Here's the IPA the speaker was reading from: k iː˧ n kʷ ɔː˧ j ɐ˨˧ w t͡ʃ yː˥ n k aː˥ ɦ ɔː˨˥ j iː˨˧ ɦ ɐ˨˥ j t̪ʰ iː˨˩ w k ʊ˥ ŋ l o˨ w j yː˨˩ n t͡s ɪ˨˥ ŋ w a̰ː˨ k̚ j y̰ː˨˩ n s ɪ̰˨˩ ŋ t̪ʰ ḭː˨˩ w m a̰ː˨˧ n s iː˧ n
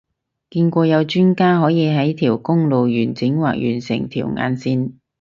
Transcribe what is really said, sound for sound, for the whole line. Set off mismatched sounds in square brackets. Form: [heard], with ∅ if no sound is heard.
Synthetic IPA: k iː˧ n kʷ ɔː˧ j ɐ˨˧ w t͡ʃ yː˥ n k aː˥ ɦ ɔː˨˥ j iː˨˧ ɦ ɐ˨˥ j t̪ʰ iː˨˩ w k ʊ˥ ŋ l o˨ w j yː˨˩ n t͡s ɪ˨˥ ŋ w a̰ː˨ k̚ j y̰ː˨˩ n s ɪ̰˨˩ ŋ t̪ʰ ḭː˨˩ w [ŋ] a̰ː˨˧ n s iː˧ n